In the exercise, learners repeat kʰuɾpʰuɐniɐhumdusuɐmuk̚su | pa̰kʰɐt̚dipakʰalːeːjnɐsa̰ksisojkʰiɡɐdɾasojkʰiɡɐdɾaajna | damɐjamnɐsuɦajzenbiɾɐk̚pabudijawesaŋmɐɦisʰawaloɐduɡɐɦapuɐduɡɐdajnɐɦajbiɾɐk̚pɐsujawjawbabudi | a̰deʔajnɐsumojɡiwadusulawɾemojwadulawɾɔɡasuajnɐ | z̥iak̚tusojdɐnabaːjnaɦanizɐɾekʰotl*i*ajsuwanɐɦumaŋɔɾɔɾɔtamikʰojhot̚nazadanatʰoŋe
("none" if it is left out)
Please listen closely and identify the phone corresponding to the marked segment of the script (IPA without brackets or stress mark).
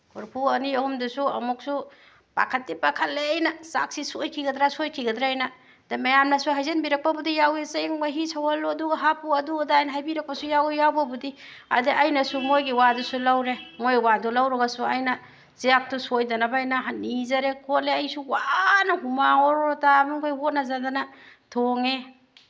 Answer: e